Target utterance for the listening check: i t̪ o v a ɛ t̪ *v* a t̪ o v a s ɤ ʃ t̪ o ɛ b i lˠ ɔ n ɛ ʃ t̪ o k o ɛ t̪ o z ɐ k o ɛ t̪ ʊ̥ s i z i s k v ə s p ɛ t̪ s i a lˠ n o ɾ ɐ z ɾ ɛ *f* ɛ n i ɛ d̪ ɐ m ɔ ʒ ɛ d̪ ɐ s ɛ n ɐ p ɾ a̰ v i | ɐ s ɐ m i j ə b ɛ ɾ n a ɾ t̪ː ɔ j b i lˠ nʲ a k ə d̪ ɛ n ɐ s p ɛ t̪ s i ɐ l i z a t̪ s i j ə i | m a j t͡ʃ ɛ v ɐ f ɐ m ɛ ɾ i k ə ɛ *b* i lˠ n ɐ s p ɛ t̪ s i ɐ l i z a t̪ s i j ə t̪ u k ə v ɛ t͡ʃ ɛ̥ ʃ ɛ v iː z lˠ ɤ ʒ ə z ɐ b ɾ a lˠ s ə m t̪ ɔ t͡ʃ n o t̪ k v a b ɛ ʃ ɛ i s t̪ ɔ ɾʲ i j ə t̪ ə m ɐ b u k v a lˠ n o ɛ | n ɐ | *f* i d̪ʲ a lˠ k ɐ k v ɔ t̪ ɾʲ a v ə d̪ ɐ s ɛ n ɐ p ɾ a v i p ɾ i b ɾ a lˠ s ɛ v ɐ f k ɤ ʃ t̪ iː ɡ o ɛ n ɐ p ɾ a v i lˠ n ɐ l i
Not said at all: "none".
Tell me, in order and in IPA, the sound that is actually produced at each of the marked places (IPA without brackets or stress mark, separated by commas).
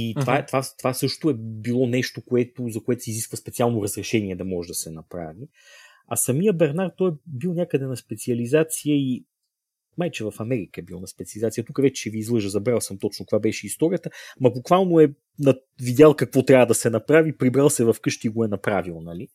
v, ʃ, b, v